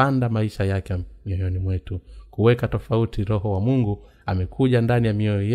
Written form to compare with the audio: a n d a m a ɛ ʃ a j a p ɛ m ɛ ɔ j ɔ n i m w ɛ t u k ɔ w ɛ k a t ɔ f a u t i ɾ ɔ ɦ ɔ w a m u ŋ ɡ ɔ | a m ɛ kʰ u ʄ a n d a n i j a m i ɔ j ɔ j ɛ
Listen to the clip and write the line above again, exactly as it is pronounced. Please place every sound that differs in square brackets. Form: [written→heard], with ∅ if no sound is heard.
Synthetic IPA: a n d a m a [ɛ→i] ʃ a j a [p→k] ɛ m [ɛ→i] ɔ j ɔ n i m w ɛ t u k [ɔ→u] w ɛ k a t ɔ f a u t i ɾ ɔ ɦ ɔ w a m u ŋ ɡ [ɔ→u] | a m ɛ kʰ u ʄ a n d a n i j a m i ɔ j ɔ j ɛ